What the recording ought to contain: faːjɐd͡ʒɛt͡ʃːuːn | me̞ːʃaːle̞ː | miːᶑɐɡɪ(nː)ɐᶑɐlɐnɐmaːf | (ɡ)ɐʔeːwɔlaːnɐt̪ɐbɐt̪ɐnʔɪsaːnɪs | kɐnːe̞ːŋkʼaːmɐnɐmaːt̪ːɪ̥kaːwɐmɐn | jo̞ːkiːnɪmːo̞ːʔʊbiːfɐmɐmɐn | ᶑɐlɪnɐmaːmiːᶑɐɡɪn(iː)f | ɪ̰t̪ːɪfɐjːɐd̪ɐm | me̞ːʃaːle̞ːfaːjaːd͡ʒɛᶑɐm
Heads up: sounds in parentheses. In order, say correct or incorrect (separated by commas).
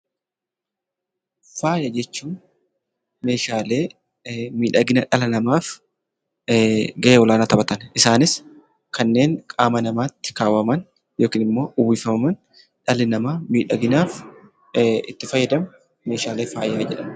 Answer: incorrect, correct, incorrect